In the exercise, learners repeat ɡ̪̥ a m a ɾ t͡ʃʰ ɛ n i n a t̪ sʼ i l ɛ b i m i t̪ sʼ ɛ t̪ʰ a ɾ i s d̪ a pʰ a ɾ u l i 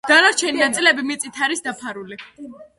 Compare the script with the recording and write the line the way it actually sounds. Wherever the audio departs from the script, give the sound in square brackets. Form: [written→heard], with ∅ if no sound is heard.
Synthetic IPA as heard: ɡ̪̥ a [m→n] a ɾ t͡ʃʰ ɛ n i n a t̪ sʼ i l ɛ b i m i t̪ sʼ [ɛ→i] t̪ʰ a ɾ i s d̪ a pʰ a ɾ u l i